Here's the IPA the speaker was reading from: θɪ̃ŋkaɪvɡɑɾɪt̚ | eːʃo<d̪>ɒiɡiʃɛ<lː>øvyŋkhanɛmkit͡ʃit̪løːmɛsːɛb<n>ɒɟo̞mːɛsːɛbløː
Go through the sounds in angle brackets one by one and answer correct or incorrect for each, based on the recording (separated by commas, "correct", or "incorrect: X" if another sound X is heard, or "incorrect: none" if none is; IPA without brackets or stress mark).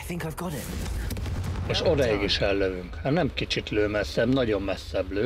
correct, correct, correct